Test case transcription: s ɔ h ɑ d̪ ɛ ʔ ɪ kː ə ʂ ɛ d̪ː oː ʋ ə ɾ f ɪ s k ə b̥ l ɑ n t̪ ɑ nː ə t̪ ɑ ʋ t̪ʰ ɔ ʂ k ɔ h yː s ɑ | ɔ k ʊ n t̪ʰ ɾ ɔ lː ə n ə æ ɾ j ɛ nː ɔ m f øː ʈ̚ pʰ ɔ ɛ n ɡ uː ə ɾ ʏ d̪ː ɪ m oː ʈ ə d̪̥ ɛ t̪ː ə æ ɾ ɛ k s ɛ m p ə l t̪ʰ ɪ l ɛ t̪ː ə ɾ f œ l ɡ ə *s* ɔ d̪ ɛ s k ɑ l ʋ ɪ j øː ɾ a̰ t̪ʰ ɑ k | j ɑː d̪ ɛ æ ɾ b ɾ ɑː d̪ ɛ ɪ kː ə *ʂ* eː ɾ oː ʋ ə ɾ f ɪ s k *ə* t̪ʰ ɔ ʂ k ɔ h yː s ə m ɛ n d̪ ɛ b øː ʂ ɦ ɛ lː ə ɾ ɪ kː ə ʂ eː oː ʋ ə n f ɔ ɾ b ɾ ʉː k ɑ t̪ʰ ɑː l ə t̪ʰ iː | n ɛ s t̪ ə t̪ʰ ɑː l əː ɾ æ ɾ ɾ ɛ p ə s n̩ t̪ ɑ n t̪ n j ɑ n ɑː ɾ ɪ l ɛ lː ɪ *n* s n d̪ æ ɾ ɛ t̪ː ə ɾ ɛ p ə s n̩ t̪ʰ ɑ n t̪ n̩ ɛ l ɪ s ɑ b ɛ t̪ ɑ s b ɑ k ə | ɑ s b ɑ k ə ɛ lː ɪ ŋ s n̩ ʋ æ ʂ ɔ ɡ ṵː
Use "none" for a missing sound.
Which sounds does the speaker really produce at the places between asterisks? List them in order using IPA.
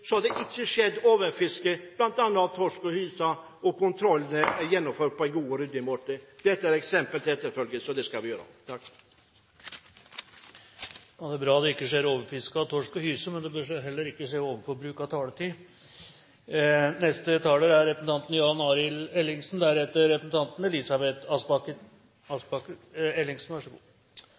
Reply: s, ʂ, ɑ, ŋ

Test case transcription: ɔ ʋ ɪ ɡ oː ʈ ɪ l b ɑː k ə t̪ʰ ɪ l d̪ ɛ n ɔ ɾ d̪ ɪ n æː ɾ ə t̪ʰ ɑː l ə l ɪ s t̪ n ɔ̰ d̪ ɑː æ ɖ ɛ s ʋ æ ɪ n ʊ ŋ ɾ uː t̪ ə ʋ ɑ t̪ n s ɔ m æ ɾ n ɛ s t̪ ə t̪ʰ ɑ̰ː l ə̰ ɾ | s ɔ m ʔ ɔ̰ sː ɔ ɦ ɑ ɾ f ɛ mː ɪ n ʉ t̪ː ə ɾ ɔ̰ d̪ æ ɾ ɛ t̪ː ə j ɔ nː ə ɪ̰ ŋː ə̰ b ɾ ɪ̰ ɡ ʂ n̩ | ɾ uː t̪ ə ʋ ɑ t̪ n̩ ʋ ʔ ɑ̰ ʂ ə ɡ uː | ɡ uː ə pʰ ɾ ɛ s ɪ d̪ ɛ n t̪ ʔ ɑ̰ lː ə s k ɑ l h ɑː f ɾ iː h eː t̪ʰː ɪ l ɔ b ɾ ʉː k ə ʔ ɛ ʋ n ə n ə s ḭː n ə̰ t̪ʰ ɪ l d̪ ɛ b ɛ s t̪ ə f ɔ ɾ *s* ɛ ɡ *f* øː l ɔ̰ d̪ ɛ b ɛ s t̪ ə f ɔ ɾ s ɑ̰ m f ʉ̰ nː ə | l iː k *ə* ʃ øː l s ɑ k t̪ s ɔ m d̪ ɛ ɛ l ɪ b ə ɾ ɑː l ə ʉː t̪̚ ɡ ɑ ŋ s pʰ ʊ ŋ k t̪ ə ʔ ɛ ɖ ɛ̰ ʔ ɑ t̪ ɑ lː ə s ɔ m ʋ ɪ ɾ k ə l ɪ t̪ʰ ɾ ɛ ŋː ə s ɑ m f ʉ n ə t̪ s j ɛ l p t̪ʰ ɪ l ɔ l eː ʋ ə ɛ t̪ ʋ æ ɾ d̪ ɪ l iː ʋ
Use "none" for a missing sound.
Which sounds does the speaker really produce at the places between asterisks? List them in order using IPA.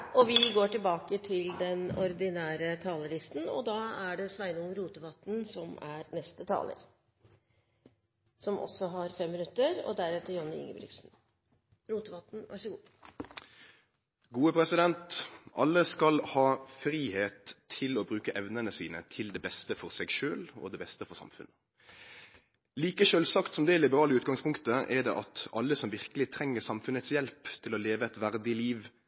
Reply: s, ʃ, ə

